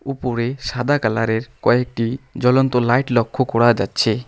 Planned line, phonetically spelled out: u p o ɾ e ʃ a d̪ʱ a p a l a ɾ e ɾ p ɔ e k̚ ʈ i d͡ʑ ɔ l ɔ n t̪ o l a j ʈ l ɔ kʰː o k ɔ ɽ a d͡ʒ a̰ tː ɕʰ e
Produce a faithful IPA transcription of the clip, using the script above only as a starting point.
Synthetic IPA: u p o ɾ e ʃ a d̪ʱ a k a l a ɾ e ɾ k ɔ e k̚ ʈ i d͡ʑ ɔ l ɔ n t̪ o l a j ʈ l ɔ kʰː o k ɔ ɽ a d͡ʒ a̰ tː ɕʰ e